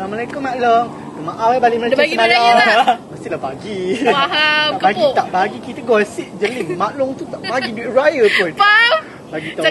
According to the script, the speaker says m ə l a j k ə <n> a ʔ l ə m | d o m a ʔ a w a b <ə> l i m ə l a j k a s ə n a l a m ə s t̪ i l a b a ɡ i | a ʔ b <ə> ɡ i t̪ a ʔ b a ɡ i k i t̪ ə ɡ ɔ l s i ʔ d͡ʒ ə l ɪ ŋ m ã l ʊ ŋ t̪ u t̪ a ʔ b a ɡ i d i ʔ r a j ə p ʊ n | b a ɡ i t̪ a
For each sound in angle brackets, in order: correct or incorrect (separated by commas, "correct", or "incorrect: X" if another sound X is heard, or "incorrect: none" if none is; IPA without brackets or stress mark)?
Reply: incorrect: m, incorrect: a, incorrect: a